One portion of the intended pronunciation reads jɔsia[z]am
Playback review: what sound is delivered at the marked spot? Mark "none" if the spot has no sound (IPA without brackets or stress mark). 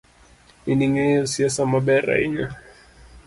s